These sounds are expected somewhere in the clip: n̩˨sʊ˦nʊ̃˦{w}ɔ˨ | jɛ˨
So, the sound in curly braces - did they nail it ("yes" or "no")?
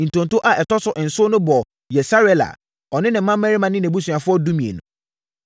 no